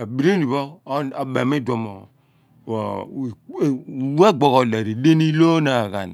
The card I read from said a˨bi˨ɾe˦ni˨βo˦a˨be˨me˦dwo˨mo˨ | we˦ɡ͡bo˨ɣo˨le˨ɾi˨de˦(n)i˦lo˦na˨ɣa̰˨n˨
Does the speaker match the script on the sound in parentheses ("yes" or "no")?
yes